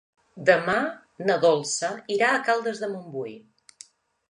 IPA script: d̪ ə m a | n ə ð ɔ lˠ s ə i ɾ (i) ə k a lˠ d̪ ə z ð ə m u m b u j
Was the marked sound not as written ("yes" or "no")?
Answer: yes